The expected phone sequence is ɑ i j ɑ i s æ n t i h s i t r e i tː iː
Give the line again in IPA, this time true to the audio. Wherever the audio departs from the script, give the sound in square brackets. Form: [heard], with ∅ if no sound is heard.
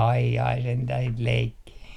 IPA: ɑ i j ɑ i s [e] n t [æ] h s i t [l] e i [kː] iː

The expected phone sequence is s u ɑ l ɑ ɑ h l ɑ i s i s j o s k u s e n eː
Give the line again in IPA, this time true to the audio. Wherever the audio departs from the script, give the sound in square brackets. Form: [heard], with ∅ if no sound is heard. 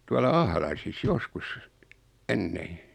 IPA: [t] u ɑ l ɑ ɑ h l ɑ i s i s j o s k u s e [nː] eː

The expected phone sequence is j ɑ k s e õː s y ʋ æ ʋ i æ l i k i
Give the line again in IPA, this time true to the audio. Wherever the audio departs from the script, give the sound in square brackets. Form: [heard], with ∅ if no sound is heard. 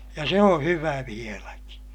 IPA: j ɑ [∅] s e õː [h] y ʋ æ ʋ i [e] l [æ] k i

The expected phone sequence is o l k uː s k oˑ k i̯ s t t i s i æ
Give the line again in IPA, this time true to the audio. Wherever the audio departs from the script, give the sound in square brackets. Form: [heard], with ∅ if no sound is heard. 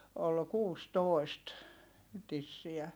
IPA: o l k uː s [t] oˑ [∅] i̯ s t t i [sː] i æ

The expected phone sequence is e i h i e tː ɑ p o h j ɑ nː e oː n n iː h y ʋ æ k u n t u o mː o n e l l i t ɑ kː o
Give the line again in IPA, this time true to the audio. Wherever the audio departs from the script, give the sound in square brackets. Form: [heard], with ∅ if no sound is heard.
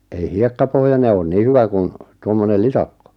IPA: e i h i e [kː] ɑ p o h j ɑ [n] e oː n n iː h y ʋ æ k u n t u o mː o n e l l i t ɑ kː o

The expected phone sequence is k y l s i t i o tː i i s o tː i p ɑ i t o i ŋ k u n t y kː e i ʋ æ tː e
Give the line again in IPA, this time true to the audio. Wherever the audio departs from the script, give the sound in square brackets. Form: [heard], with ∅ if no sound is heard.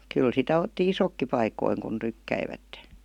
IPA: k y l s i t [æ] o tː i i s o [kː] i p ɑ i [k] o i ŋ k u n t y kː [æ] i ʋ æ tː e

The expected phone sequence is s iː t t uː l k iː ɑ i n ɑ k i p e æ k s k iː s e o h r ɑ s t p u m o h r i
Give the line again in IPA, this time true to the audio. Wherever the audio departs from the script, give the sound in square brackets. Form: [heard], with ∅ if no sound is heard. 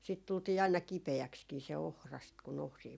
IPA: s iː t t [u] l [t] iː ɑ i n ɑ k i p e æ k s k iː s e o h r ɑ s t [k] u [n] o h r [iː]

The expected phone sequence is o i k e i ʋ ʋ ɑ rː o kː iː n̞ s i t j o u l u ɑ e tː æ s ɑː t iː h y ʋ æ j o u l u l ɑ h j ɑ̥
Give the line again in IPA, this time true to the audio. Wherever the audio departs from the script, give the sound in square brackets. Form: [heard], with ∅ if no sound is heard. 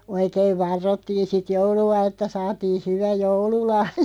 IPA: o i k e i ʋ ʋ ɑ rː o [tː] iː n̞ s i t j o u l u ɑ e tː æ s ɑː t iː h y ʋ æ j o u l u l ɑ h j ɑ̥

